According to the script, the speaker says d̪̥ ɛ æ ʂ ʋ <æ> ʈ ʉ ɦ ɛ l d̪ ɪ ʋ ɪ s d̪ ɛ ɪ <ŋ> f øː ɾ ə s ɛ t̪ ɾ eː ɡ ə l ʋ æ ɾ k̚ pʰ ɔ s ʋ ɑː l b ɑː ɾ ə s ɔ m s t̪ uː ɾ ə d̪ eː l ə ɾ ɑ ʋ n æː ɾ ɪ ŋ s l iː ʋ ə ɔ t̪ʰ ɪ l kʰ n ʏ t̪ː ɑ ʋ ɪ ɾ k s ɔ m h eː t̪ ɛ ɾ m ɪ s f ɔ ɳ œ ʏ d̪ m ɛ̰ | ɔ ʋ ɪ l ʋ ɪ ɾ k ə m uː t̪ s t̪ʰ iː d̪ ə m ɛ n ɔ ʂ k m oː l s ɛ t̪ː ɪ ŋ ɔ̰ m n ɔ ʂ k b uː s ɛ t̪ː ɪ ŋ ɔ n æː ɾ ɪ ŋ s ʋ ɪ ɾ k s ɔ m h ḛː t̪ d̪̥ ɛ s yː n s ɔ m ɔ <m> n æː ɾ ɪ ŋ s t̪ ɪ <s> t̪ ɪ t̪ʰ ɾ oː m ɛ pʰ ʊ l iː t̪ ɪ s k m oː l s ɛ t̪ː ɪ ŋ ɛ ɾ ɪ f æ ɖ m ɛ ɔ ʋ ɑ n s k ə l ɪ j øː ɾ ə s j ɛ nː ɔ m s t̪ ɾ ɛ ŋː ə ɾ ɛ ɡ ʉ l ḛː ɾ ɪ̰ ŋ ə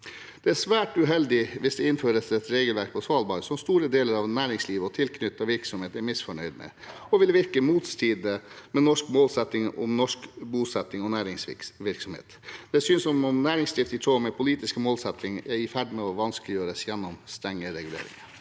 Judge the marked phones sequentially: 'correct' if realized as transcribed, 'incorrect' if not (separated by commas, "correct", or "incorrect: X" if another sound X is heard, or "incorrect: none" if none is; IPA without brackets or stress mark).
incorrect: æː, incorrect: n, correct, incorrect: f